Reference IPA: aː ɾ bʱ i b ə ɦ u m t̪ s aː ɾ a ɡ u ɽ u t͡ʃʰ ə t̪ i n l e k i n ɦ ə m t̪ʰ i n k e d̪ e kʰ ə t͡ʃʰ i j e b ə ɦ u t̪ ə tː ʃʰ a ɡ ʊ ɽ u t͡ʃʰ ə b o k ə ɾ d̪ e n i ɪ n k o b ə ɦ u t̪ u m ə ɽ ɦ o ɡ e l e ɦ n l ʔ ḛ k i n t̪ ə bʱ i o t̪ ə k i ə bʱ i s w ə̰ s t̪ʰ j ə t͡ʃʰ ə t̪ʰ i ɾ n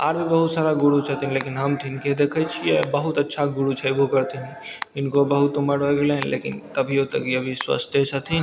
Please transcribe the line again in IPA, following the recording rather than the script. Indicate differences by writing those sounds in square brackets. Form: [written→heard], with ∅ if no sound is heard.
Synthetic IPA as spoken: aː ɾ bʱ i b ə ɦ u [m→∅] t̪ s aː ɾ a ɡ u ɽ u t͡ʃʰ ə t̪ i n l e k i n ɦ ə m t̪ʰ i n k e d̪ e kʰ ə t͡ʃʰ i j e b ə ɦ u t̪ ə tː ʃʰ a ɡ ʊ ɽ u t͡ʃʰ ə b o k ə ɾ [d̪→t̪] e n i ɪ n k o b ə ɦ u t̪ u m ə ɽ ɦ o ɡ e l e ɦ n l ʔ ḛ k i n t̪ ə bʱ i o t̪ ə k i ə bʱ i s w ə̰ s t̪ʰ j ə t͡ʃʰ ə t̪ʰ i [ɾ→∅] n